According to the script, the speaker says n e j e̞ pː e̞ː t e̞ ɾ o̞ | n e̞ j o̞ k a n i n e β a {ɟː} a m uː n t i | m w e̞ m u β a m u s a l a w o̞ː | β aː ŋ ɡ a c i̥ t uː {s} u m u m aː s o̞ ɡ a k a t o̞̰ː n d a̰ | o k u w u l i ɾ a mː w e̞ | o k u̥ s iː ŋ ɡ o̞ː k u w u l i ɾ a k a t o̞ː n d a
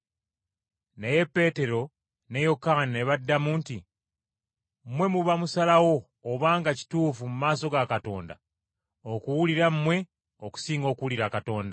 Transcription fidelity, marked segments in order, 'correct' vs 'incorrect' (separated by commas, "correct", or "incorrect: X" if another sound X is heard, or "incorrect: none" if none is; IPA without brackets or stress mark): incorrect: dː, incorrect: f